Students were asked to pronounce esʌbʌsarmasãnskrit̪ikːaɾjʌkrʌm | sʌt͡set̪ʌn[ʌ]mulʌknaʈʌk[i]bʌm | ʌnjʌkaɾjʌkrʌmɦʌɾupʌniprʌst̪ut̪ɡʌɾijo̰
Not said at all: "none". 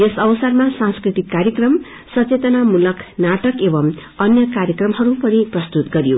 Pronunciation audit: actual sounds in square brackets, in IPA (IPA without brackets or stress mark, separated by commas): a, e